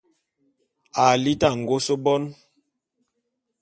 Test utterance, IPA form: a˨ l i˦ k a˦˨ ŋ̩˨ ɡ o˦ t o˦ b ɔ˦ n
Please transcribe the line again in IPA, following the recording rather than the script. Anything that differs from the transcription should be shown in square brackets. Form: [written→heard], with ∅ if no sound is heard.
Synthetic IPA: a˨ l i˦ [k→t] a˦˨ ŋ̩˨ ɡ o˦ [t→s] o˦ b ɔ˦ n